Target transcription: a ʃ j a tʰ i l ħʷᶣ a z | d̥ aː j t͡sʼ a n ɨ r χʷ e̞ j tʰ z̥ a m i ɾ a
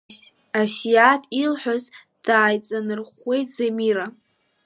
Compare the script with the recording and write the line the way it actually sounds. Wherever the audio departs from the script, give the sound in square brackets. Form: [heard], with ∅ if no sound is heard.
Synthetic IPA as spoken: a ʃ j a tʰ i l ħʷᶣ a z | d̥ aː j t͡sʼ a n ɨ r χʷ e̞ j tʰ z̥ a m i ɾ a